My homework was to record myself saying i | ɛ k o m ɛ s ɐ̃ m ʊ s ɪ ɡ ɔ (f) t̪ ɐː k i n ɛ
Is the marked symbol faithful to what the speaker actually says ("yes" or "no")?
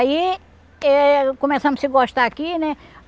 no